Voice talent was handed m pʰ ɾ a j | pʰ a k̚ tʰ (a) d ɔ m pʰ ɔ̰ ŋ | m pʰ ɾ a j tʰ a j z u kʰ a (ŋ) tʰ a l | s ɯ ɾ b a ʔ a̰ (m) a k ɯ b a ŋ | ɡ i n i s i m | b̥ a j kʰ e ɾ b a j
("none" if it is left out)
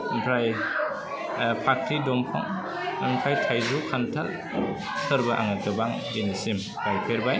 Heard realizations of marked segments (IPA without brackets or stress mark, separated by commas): i, n, ŋ